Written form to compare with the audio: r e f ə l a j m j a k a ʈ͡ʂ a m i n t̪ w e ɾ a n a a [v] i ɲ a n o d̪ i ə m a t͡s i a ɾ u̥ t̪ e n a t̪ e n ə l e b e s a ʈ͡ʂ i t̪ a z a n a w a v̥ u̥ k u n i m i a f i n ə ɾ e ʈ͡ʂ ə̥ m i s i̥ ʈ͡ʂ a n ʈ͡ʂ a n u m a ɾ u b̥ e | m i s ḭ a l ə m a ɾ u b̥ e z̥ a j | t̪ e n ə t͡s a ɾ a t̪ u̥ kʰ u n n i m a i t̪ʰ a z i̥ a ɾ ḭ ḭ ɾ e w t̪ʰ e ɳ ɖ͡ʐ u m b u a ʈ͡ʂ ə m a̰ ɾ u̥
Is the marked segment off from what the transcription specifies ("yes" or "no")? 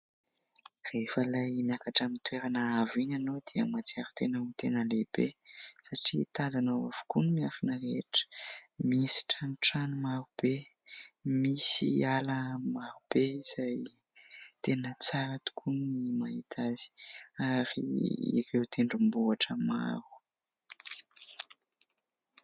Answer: no